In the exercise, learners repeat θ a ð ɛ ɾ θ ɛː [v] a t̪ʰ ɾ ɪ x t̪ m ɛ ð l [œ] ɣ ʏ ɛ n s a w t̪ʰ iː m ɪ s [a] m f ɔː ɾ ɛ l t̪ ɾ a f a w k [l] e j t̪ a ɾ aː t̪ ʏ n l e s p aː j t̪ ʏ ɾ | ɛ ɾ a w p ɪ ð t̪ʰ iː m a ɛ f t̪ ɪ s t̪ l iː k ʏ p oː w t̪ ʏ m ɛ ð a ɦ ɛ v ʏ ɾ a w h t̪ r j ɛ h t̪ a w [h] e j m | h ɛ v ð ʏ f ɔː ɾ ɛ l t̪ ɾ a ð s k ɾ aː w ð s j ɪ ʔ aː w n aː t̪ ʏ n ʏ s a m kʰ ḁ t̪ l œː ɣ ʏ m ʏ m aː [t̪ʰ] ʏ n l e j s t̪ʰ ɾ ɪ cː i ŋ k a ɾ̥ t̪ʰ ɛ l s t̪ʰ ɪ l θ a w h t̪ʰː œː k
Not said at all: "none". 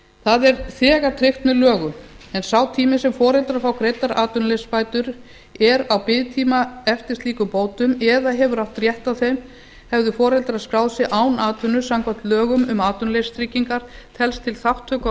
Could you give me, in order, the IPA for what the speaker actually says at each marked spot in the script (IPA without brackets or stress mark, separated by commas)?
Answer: ɣ, œː, ɛ, ɾ, θ, t̪